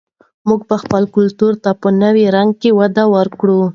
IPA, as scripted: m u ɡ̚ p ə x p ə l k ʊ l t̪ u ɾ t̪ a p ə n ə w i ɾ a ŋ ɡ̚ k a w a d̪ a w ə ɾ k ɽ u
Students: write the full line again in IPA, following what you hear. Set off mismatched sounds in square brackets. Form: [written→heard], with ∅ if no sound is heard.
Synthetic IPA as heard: m u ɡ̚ p ə x p ə l k ʊ l t̪ u ɾ t̪ a p ə n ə w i ɾ a ŋ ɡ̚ k [a→e] w a d̪ a w ə ɾ k ɽ u